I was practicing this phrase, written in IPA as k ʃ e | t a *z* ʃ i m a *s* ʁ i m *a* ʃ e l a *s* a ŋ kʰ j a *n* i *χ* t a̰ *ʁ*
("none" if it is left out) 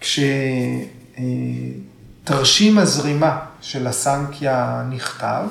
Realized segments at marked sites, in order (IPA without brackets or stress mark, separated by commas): ʁ, z, a, s, n, χ, v